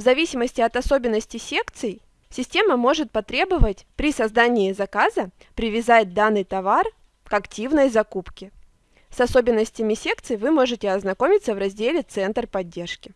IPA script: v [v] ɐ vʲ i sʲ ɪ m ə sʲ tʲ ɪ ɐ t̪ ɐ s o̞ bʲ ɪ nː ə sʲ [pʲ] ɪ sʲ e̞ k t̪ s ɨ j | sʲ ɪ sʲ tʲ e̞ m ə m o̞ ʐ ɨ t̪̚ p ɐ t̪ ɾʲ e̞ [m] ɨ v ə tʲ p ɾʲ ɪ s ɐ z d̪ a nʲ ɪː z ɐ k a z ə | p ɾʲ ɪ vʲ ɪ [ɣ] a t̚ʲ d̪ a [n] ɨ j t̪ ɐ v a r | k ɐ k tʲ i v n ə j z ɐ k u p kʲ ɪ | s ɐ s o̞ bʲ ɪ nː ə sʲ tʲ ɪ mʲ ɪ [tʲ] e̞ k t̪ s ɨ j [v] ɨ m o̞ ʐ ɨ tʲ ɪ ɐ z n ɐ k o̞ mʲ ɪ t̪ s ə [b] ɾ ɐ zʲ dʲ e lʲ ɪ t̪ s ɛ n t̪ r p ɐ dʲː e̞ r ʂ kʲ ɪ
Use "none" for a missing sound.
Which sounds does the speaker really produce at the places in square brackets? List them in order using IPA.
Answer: z, tʲ, b, z, nː, sʲ, v, v

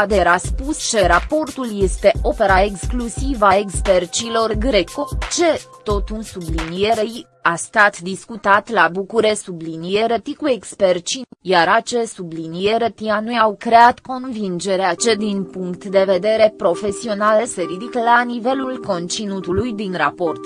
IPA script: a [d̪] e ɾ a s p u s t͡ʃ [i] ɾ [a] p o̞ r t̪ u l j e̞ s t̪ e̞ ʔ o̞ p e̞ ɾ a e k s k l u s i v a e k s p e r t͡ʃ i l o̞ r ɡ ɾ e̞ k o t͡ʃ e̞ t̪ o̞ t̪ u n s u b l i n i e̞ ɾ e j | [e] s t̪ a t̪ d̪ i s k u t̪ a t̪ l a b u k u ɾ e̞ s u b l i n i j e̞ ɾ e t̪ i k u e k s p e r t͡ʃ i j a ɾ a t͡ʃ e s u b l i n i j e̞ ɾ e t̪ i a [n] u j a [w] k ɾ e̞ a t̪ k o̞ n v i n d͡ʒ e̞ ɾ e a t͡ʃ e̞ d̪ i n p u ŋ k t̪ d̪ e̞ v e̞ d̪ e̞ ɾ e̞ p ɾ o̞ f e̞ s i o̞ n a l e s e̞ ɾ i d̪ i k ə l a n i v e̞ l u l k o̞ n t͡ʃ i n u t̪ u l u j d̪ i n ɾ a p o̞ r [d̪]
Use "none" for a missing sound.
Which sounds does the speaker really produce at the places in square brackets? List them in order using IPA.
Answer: d̪, e, a, a, n, w, t̪

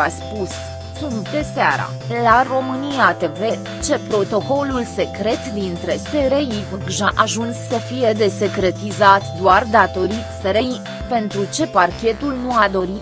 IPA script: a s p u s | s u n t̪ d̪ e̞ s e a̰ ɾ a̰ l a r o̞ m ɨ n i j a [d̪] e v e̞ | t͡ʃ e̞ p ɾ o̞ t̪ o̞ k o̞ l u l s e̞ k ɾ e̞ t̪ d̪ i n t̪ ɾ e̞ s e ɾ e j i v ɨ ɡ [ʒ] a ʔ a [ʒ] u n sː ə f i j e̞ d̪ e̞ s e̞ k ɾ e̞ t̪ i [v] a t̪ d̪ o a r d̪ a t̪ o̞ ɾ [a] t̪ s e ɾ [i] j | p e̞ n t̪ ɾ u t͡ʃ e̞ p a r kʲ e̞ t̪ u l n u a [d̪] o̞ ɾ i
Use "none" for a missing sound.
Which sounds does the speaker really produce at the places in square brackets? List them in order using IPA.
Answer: t̪, ʒ, ʒ, z, i, e, d̪

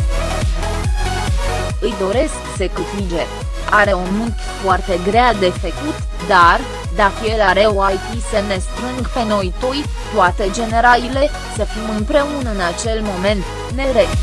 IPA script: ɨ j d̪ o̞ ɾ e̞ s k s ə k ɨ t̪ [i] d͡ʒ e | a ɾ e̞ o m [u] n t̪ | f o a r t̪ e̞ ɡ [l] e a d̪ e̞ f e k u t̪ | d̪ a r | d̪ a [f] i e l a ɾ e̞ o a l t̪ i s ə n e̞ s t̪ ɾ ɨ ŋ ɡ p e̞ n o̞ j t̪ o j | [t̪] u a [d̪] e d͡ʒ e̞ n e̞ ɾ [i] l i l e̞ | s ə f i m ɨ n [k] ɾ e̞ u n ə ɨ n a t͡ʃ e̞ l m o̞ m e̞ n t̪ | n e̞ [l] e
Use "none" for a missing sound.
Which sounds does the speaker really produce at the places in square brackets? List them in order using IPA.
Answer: i, u, ɾ, f, t̪, t̪, a, p, ɾ

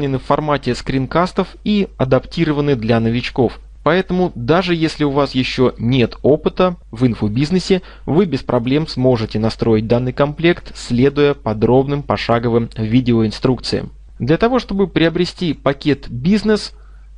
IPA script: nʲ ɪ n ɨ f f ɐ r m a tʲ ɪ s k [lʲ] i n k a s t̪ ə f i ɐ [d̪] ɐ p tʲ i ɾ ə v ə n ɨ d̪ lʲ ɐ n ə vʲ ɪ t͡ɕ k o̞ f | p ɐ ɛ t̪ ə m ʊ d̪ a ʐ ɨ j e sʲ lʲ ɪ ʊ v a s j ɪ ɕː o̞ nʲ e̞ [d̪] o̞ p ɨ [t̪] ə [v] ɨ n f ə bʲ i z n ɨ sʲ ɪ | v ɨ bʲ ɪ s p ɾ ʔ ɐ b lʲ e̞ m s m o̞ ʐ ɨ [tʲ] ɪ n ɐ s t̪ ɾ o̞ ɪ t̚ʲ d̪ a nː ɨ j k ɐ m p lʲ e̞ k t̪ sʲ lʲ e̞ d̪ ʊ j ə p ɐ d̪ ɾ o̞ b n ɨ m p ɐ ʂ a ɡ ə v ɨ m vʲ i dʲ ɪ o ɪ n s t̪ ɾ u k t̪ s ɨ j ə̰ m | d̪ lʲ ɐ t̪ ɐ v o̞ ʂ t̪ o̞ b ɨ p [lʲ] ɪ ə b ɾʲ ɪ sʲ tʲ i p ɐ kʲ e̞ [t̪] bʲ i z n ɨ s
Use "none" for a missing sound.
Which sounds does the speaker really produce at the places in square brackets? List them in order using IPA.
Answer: ɾʲ, d̪, t̪, t̪, v, tʲ, ɾʲ, t̪

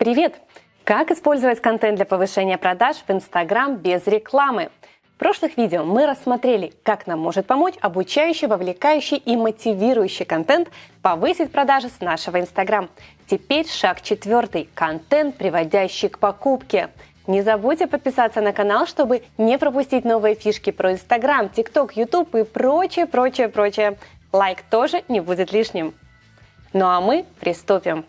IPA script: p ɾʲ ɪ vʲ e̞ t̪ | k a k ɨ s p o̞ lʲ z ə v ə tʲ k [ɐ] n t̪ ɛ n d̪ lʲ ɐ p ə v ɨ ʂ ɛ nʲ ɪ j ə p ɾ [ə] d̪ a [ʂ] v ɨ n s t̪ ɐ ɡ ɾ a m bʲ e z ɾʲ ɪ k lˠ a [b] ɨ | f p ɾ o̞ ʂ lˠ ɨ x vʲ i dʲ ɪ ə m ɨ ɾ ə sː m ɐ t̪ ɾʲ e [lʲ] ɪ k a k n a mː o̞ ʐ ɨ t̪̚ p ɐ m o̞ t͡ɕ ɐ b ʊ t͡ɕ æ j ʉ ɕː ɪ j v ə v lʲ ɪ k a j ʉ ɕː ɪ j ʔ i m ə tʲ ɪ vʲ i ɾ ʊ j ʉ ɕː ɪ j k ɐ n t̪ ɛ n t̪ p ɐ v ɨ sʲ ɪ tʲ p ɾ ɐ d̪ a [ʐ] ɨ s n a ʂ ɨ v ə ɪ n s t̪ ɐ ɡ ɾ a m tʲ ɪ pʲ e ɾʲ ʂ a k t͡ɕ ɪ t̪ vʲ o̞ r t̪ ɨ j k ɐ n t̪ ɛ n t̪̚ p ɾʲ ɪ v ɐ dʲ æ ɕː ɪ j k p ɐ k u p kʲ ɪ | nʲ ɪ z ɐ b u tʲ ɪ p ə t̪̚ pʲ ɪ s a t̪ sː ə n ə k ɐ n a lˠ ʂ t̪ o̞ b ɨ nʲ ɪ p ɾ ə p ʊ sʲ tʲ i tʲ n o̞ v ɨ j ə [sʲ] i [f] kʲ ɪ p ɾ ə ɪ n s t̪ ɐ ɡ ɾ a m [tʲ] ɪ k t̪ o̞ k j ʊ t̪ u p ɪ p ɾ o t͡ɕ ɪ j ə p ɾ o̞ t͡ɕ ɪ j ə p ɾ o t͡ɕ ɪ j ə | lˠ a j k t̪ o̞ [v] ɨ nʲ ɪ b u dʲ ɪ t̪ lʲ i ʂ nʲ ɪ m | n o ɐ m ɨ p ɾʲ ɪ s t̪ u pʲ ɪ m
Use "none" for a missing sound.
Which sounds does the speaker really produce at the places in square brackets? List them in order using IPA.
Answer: ɐ, ɐ, ʂ, m, lʲ, ʐ, fʲ, ʂ, tʲ, ʐ

